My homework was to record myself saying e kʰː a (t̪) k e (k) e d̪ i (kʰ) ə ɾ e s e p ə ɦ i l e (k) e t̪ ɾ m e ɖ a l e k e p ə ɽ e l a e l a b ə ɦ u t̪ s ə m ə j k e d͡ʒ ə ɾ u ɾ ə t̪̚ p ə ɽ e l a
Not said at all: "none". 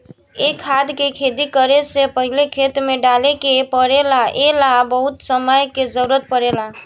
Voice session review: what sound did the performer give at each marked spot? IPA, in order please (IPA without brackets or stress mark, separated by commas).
d̪, kʰ, k, kʰ